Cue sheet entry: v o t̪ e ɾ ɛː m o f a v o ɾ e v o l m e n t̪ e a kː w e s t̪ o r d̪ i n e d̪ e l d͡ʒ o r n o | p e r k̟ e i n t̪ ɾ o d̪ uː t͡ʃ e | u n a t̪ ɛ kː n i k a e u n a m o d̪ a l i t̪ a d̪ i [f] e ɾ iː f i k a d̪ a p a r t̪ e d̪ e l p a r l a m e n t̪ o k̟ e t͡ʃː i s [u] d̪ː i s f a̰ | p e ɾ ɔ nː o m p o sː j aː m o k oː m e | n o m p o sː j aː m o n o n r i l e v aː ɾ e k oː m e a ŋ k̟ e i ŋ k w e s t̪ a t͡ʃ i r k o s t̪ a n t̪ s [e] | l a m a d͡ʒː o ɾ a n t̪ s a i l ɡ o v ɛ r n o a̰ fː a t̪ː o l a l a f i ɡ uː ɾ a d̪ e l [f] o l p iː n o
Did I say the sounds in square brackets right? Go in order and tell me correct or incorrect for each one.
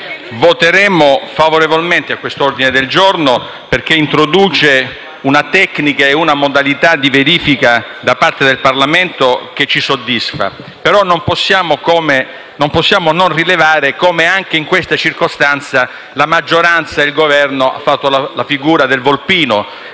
incorrect: v, incorrect: o, incorrect: a, incorrect: v

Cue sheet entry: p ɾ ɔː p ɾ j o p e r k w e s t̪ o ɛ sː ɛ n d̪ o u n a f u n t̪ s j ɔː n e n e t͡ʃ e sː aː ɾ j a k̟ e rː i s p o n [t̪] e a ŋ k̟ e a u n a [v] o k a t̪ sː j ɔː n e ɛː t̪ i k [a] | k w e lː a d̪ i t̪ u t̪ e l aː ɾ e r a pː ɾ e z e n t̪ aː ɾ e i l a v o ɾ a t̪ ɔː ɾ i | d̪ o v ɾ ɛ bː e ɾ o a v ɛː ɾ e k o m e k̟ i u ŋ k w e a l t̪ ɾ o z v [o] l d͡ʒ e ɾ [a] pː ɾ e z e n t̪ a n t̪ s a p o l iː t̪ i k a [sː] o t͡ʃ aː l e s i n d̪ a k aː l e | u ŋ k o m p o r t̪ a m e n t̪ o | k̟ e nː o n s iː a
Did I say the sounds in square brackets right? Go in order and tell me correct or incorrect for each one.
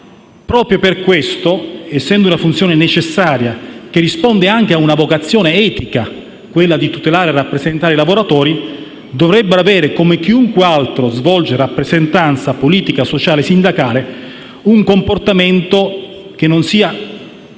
incorrect: d̪, correct, correct, incorrect: ɔ, correct, incorrect: s

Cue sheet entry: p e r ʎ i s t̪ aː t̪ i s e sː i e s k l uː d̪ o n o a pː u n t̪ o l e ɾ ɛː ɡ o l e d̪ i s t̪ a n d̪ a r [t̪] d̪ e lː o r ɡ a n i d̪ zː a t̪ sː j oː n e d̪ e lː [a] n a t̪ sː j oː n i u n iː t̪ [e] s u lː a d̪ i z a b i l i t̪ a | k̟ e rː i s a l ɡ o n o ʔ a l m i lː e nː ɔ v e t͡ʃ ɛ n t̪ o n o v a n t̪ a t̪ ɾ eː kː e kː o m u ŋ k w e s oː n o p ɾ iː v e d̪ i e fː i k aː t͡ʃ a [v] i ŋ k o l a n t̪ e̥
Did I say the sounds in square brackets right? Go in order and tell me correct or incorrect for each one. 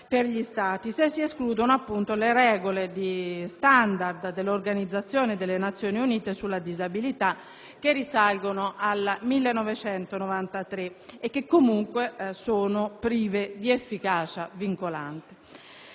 incorrect: d̪, incorrect: e, correct, correct

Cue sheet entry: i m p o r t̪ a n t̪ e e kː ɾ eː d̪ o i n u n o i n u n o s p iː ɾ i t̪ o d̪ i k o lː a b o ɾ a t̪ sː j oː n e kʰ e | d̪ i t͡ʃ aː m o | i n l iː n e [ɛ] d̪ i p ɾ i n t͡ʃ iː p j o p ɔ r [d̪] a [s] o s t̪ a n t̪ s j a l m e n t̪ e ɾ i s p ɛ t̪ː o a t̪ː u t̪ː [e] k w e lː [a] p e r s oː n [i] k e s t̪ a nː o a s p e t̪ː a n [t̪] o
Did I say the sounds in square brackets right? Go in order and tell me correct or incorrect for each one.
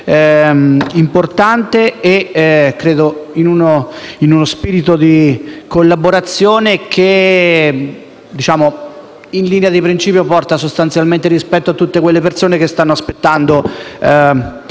incorrect: a, incorrect: t̪, correct, correct, incorrect: e, incorrect: e, incorrect: d̪

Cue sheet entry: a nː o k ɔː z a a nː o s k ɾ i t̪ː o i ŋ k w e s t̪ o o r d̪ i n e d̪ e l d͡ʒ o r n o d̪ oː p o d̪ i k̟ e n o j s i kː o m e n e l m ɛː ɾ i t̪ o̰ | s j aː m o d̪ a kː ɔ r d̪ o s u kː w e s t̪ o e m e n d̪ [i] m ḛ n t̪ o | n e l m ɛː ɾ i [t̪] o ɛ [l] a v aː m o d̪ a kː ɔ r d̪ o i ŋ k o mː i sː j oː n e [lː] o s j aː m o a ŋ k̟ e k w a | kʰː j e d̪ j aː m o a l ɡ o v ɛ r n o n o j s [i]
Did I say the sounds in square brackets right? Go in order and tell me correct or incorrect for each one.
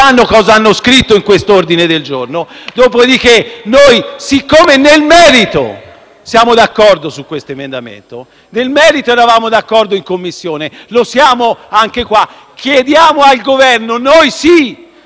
incorrect: a, correct, incorrect: ɾ, incorrect: l, correct

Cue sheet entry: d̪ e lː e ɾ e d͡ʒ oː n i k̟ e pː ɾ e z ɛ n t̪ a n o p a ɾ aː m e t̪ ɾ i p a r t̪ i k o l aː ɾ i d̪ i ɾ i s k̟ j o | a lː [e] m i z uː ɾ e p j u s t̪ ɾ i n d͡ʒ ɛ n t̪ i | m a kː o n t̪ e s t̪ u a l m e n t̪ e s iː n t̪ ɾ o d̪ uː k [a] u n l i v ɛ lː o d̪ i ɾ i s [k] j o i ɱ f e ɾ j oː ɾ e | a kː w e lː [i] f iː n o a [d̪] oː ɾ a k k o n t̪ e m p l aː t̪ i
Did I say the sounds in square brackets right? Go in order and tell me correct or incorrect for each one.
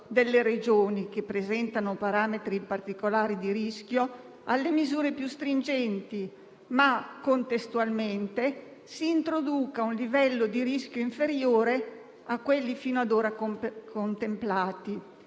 correct, correct, correct, correct, correct

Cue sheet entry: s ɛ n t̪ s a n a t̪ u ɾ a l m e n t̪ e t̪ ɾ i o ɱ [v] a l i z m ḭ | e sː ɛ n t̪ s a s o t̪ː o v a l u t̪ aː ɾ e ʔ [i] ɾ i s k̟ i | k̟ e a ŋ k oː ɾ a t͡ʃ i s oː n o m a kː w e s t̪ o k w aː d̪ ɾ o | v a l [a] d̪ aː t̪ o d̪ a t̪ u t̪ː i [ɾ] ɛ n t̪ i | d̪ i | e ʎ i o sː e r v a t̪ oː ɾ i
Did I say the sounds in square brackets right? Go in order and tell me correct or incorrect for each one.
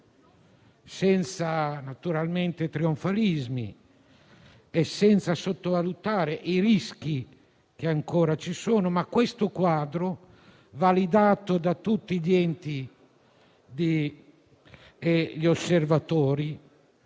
incorrect: f, correct, incorrect: i, incorrect: ʎ

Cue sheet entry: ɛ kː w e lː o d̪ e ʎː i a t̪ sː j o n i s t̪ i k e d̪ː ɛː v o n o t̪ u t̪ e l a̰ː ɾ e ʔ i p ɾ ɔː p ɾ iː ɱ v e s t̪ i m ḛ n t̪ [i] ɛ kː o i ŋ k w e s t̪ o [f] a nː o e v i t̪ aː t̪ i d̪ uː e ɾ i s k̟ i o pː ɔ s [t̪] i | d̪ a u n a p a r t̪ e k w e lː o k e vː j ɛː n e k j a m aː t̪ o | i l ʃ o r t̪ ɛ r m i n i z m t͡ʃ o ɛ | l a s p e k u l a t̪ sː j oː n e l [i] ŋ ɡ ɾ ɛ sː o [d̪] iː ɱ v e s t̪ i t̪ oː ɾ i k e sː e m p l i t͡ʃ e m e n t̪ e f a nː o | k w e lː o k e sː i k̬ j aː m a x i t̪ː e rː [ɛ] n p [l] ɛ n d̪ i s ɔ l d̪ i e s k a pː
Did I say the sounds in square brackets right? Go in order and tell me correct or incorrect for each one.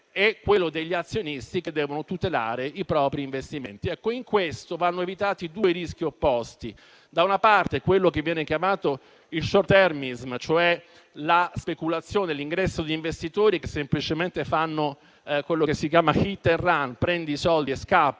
correct, incorrect: v, correct, correct, correct, incorrect: a, incorrect: ɾ

